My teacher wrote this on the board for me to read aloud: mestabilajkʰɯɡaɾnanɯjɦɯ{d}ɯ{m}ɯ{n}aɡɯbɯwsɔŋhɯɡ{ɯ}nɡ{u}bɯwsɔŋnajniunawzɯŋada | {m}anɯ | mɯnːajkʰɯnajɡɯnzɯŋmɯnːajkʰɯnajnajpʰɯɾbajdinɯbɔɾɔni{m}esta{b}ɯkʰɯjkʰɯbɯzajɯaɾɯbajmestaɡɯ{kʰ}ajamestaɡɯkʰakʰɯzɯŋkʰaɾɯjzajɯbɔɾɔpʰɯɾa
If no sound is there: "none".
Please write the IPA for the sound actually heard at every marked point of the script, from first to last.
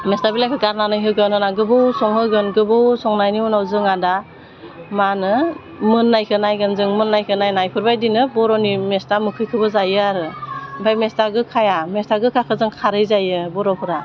ɡ, n, n, ɯ, ɯ, m, m, m, kʰ

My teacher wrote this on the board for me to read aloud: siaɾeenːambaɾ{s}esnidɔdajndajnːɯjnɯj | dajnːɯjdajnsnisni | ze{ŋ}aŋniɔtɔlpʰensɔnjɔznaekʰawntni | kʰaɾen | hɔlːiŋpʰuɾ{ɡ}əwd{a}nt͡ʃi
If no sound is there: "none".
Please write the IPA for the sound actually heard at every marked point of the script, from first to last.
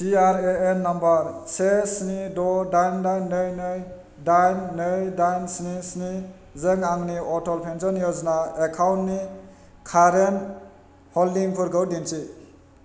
s, ŋ, ɡ, i

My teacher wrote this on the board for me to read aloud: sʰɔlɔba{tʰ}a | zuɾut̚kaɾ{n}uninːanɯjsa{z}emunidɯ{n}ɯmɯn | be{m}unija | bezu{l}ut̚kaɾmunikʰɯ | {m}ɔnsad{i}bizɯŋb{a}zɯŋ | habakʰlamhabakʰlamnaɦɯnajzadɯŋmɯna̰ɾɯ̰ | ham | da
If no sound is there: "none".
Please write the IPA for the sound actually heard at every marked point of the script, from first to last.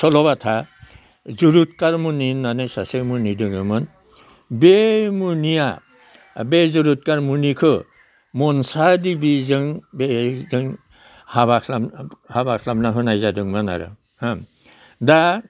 tʰ, m, s, ŋ, m, ɾ, m, i, e

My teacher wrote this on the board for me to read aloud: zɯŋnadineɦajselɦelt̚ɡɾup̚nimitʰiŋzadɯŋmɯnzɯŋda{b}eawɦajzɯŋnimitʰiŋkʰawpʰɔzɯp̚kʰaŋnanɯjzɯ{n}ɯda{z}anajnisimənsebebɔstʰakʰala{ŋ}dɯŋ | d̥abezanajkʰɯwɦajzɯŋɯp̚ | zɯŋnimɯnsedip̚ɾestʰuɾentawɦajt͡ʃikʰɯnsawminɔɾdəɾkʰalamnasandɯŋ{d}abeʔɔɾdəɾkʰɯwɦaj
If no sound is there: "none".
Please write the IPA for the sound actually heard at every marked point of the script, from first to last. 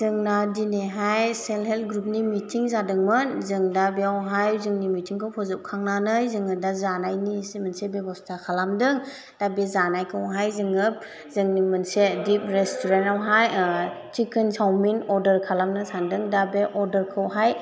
b, ŋ, z, m, d

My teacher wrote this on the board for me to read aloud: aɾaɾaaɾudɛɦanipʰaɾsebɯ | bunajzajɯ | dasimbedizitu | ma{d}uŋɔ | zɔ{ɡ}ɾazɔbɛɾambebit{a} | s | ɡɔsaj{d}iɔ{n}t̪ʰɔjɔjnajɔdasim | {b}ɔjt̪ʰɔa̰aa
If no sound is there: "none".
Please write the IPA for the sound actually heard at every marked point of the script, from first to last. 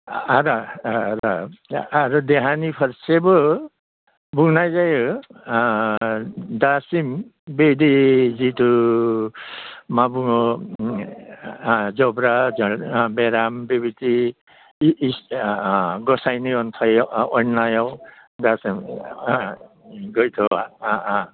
b, b, i, n, n, ɡ

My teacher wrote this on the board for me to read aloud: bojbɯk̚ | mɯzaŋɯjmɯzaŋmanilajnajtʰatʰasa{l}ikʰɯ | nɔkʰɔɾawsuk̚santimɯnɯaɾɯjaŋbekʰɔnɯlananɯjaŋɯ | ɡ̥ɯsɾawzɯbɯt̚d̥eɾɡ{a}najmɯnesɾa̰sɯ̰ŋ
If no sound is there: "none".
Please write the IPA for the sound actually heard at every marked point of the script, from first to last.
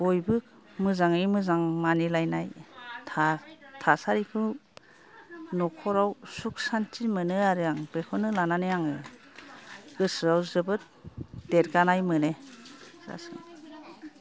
ɾ, a

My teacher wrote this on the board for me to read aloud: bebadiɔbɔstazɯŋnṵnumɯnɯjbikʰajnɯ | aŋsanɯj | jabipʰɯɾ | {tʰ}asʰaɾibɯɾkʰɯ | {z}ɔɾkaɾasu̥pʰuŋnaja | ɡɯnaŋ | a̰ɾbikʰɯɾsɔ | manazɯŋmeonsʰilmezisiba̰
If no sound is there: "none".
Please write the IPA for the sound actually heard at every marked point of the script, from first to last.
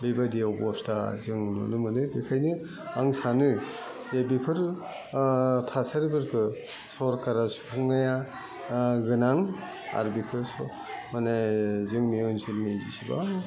tʰ, s

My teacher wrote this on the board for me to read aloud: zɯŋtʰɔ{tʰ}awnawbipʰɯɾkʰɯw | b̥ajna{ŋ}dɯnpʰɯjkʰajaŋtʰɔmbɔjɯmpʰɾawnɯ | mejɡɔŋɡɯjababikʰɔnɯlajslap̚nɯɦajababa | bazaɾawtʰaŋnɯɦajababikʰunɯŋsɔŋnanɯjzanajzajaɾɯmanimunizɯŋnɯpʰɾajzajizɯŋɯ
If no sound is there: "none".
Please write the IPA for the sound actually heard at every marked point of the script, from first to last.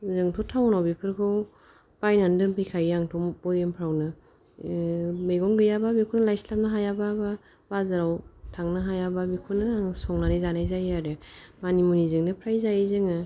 tʰ, n

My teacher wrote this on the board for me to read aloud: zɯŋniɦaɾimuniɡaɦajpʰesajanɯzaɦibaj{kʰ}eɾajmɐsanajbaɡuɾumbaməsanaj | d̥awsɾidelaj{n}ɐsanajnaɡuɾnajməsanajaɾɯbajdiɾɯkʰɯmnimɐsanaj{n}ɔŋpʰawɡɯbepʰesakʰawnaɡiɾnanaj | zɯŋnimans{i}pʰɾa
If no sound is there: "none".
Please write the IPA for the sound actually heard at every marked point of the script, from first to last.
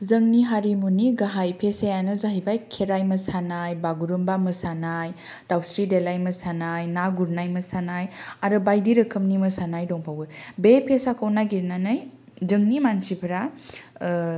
kʰ, m, d, i

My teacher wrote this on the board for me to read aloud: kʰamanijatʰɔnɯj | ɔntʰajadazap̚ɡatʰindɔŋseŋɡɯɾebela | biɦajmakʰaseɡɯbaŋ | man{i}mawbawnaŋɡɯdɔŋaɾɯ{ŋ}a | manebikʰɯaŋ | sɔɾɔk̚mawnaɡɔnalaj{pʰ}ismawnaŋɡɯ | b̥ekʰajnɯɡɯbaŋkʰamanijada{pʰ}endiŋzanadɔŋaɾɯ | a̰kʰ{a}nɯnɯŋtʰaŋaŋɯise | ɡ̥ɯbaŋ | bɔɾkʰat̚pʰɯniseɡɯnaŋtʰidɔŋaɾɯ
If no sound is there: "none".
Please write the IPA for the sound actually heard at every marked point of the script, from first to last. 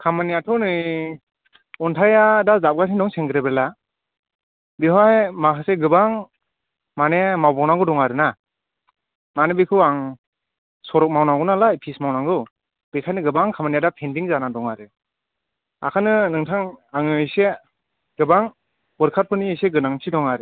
e, n, pʰ, pʰ, a

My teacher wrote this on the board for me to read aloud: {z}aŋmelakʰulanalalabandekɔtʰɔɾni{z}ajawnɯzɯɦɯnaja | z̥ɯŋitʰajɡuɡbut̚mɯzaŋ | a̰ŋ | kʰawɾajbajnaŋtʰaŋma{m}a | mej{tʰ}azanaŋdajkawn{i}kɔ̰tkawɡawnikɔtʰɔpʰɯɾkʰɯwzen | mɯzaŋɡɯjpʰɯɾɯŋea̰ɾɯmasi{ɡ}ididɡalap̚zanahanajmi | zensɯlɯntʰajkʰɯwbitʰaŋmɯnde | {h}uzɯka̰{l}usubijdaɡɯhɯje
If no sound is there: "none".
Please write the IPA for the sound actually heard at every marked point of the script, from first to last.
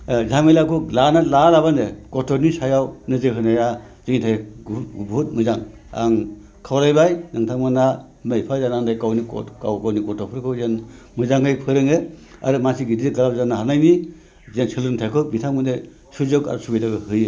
z, s, n, pʰ, i, ɡ, s, ɾ

